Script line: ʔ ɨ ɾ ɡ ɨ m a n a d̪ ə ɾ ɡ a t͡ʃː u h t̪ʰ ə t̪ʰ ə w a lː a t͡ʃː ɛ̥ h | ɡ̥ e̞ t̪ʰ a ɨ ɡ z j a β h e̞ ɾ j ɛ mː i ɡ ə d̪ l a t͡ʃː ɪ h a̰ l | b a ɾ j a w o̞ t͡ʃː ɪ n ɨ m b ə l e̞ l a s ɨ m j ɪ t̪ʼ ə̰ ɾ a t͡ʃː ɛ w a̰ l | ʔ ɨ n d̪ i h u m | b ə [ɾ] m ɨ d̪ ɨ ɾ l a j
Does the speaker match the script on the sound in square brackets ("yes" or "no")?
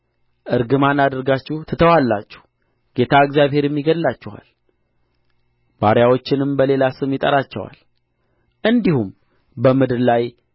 no